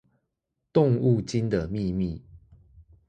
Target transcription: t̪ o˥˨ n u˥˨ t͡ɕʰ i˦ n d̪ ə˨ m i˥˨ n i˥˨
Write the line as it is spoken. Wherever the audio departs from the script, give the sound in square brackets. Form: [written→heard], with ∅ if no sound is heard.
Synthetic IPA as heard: t̪ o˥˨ [n→ŋ] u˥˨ [t͡ɕʰ→t͡ɕ] i˦ n d̪ ə˨ m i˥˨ [n→m] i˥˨